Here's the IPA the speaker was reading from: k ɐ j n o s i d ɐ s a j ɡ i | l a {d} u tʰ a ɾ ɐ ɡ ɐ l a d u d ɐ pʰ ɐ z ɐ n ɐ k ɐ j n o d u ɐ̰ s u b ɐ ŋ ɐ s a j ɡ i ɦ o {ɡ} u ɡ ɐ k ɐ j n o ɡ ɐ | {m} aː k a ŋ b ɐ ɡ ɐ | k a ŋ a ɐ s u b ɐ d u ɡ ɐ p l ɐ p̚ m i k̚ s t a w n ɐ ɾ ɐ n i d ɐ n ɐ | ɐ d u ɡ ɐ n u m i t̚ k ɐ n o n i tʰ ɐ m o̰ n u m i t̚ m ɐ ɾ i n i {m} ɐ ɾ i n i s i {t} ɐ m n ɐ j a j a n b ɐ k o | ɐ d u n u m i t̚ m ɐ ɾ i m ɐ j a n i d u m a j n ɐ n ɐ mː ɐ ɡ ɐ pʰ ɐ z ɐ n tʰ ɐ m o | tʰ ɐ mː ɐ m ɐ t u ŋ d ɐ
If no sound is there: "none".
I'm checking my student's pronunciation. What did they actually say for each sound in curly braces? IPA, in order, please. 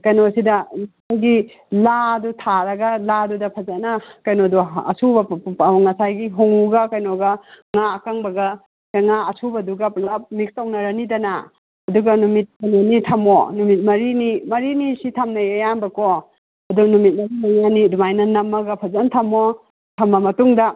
d, ŋ, ŋ, m, tʰ

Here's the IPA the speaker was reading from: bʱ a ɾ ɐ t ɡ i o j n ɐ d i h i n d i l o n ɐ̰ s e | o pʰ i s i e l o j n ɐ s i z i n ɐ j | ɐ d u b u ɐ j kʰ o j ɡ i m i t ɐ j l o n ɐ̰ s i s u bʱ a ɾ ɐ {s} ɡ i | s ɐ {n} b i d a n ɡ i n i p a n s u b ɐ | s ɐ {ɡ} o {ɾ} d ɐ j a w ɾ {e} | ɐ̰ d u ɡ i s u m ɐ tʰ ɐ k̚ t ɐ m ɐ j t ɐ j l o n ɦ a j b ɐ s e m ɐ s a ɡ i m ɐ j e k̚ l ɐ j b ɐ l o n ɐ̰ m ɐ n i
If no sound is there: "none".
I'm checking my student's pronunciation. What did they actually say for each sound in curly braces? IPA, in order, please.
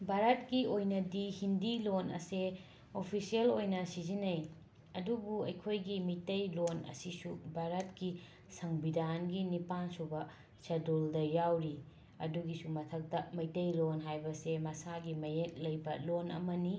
t, ŋ, d, l, i

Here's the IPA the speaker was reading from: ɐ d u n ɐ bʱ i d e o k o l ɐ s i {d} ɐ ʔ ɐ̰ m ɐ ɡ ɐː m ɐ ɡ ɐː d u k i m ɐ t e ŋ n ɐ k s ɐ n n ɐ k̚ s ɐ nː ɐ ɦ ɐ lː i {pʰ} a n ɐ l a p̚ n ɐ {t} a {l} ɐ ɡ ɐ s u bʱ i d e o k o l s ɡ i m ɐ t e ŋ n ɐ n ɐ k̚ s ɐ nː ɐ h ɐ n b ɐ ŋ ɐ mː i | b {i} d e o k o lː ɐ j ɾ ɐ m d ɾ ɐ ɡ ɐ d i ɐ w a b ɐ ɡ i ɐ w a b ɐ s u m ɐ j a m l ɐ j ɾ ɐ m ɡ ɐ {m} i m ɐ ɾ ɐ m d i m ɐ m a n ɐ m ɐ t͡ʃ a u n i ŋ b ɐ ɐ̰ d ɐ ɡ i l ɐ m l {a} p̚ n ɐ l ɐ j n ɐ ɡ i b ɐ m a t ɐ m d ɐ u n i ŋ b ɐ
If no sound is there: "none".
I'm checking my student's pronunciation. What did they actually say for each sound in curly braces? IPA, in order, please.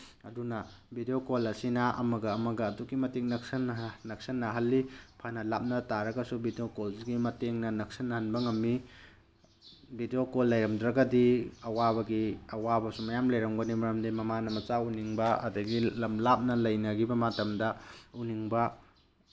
n, pʰ, t, ɾ, i, n, a

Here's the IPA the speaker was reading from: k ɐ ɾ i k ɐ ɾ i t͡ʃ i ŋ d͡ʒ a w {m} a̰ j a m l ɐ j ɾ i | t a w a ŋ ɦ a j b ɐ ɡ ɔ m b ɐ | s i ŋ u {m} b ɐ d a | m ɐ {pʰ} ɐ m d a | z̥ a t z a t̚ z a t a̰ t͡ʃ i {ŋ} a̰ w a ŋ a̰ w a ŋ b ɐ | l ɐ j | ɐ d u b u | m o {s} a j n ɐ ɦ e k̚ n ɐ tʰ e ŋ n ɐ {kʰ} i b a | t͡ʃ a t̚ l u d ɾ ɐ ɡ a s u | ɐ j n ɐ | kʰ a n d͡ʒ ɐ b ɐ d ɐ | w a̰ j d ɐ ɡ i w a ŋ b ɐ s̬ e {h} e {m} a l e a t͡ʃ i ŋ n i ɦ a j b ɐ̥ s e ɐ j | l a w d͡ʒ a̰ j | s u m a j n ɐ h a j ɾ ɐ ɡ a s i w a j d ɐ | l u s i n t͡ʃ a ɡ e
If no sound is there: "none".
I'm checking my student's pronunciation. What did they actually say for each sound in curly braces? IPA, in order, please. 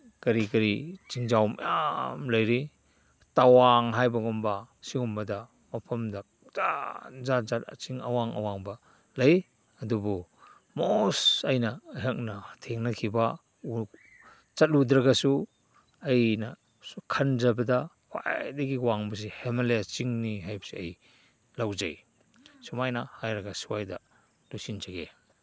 m, m, pʰ, ŋ, s, kʰ, h, m

